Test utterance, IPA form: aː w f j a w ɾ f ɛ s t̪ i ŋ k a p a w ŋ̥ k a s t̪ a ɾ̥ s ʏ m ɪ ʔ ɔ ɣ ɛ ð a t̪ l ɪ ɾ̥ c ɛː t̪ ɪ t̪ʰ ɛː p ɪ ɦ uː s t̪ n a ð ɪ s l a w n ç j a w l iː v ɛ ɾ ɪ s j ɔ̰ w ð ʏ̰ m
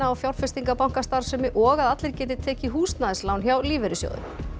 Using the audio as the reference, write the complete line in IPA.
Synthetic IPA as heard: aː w f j a w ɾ f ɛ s t̪ i ŋ k a p a w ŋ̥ k a s t̪ a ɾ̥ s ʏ m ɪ ʔ ɔ ɣ a ð a t̪ l ɪ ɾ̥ c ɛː t̪ ɪ t̪ʰ ɛː c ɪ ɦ uː s t̪ n a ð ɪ s l a w n ç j a w l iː v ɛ ɾ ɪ s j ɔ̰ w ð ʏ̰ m